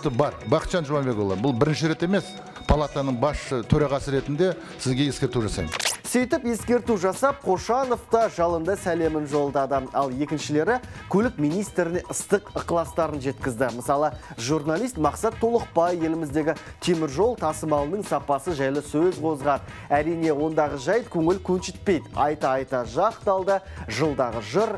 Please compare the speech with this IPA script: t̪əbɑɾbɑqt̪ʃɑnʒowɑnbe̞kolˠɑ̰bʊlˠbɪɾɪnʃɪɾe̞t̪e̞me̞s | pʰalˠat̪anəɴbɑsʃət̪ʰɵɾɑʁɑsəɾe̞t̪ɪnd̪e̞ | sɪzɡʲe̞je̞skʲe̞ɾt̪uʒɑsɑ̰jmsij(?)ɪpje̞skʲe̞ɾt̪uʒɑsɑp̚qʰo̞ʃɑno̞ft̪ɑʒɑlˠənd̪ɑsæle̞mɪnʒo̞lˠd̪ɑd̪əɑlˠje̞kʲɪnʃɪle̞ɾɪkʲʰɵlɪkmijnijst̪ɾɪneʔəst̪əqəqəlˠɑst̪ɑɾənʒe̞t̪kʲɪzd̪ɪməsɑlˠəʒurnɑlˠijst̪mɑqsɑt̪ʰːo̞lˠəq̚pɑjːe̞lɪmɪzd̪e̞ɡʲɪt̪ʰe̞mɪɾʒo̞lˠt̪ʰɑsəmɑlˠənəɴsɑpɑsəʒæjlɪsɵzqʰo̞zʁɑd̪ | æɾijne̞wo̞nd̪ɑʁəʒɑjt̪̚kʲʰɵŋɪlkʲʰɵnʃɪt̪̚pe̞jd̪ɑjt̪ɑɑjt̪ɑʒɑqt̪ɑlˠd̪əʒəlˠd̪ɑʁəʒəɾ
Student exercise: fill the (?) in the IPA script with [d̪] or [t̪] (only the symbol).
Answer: t̪